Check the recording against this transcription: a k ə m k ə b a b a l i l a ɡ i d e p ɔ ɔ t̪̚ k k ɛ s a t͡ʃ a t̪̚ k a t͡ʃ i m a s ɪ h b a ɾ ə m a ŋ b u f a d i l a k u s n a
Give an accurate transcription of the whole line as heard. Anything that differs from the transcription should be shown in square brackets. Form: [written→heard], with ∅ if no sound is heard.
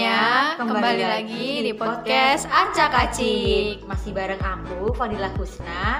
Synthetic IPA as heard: a k ə m k ə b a b a l i l a ɡ i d [e→i] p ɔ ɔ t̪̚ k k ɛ s a t͡ʃ a [t̪̚→∅] k a t͡ʃ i m a s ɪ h b a ɾ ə [m→ŋ] a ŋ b u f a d i l a k u s n a